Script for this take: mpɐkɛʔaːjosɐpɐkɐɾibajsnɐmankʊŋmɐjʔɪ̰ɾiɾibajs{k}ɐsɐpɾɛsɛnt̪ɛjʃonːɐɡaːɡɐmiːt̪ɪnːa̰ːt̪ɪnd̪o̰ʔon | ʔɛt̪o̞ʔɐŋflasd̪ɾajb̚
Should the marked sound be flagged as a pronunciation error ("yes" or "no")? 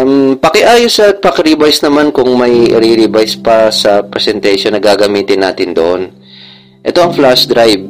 yes